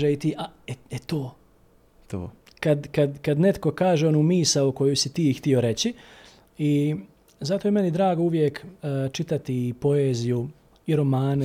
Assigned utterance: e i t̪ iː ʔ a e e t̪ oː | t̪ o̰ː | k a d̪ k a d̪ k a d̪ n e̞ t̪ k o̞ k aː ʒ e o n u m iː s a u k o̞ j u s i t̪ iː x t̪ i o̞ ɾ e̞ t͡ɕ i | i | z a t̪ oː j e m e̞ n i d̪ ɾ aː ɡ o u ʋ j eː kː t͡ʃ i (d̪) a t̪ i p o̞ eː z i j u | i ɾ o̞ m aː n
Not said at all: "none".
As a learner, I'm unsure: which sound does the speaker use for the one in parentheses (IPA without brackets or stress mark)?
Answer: t̪